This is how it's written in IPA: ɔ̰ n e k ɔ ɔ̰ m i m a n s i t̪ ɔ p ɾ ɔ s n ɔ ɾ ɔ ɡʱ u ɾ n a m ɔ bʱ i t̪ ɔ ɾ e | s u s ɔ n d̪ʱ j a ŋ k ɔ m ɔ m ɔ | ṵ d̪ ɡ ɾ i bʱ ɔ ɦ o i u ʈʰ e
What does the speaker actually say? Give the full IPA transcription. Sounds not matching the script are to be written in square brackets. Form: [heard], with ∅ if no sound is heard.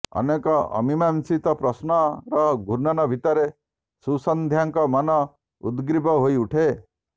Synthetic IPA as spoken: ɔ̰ n e k ɔ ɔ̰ m i m a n s i t̪ ɔ p ɾ ɔ s n ɔ ɾ ɔ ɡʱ u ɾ n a [n] ɔ bʱ i t̪ ɔ ɾ e | s u s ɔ n d̪ʱ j a ŋ k ɔ m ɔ [n] ɔ | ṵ d̪ ɡ ɾ i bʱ ɔ ɦ o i u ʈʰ e